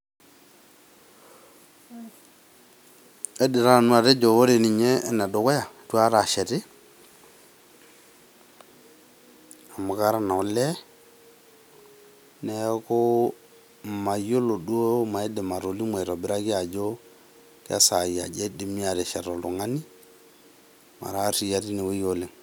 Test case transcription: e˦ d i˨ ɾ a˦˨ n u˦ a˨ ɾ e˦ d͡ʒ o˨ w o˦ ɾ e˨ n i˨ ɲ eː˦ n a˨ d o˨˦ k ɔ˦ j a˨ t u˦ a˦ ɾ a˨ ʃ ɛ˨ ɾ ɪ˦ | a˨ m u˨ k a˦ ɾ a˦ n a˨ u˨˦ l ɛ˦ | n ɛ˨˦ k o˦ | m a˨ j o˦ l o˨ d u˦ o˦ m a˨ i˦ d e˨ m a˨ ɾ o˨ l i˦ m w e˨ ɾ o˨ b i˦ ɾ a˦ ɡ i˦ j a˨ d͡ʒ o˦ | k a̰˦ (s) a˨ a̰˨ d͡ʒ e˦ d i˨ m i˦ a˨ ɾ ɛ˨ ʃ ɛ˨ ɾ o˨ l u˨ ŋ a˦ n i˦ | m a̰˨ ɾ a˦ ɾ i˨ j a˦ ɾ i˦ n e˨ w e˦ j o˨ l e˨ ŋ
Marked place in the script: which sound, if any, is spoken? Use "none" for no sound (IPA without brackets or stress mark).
s